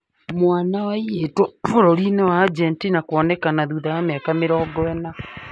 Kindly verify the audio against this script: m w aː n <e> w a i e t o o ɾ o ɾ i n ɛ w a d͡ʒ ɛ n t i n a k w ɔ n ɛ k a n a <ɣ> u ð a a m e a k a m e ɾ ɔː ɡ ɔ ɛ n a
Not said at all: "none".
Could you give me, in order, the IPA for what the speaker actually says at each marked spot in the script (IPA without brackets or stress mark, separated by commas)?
a, ð